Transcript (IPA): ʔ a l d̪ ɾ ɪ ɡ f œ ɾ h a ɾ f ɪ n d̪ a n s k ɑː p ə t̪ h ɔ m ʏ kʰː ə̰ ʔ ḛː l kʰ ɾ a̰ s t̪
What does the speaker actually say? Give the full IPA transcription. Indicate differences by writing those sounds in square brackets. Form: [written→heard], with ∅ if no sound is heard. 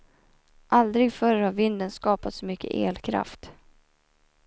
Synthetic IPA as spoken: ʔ a l d̪ ɾ ɪ ɡ f œ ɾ h a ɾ [f→v] ɪ n d̪ [a→ə] n s k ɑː p [ə→a] t̪ [h→s] ɔ m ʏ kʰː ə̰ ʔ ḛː l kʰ ɾ a̰ [s→f] t̪